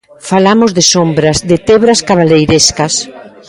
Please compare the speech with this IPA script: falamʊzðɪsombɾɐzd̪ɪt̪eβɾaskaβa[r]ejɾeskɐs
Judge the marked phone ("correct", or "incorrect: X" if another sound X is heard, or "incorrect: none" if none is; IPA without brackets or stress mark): incorrect: l